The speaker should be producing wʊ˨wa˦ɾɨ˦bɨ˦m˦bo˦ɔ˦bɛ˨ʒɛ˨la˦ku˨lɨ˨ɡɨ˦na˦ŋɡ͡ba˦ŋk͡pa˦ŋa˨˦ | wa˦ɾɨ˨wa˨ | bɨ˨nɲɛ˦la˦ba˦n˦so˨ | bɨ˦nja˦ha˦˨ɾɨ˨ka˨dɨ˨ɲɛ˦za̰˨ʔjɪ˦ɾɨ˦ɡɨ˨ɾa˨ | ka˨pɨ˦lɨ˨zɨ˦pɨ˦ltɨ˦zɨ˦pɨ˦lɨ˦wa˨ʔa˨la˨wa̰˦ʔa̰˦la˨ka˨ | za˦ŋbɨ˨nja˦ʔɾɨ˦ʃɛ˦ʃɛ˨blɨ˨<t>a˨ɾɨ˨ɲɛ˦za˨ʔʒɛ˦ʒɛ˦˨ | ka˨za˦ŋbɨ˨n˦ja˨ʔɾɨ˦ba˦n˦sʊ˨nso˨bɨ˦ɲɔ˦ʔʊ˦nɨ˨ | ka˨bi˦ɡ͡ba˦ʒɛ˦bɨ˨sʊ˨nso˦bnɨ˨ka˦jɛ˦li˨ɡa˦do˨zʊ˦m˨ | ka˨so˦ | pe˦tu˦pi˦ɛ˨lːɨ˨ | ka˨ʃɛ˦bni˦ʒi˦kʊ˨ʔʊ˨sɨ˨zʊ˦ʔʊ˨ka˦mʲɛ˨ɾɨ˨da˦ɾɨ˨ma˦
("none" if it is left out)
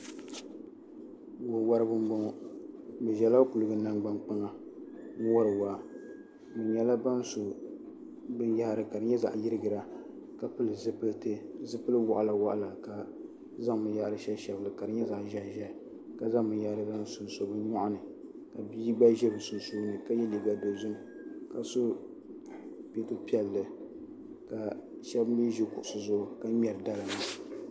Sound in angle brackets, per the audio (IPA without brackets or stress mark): k